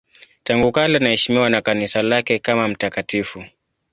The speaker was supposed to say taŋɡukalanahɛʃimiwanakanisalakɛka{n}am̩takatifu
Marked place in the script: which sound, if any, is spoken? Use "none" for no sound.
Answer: m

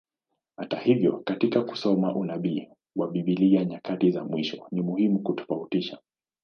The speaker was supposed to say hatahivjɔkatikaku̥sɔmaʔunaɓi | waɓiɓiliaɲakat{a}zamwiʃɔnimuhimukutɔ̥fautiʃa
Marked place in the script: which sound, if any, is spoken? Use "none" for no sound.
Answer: i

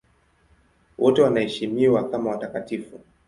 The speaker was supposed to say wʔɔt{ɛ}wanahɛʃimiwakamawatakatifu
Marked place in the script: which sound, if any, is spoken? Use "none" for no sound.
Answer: ɛ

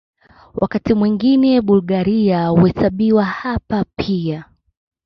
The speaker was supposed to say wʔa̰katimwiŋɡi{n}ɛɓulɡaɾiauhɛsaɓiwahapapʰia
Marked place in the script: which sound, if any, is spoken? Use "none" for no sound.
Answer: n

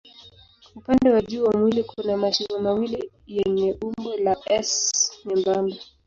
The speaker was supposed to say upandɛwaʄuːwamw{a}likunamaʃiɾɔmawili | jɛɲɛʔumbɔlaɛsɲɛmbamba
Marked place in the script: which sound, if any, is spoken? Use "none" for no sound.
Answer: i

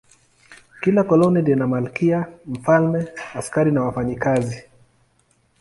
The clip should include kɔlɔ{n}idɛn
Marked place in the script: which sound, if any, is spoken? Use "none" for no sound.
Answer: n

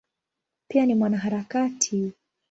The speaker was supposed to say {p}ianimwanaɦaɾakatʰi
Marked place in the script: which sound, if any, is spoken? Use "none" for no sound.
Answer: p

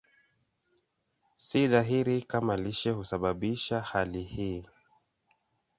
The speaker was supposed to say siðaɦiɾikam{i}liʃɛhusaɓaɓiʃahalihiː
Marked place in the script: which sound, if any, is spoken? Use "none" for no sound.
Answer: a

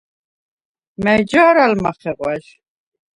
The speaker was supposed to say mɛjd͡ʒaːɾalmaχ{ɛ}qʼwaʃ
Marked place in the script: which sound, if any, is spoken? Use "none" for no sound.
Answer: ɛ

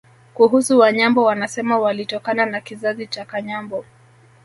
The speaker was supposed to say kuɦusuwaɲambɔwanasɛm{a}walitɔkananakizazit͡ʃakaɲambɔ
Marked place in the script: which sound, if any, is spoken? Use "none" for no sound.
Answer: a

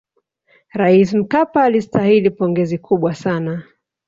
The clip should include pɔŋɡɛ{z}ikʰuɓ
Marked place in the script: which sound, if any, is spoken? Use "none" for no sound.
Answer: z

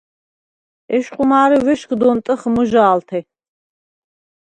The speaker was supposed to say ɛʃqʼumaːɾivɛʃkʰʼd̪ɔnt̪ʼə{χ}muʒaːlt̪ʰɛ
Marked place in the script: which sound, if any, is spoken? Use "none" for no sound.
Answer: χ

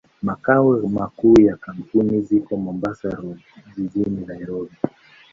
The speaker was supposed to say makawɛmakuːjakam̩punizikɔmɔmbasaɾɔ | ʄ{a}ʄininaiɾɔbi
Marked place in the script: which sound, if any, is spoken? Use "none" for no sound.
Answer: i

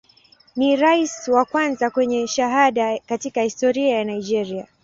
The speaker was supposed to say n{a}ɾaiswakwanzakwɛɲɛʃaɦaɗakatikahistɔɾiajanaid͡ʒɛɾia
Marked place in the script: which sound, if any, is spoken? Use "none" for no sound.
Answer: i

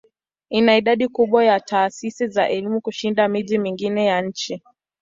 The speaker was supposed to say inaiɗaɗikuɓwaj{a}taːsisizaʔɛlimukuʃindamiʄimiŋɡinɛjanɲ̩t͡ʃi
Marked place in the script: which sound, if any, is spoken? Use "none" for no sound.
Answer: a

